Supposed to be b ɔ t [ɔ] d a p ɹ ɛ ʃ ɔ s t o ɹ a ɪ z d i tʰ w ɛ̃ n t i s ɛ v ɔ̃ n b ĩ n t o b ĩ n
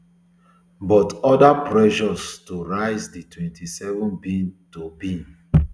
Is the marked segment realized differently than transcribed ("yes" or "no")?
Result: no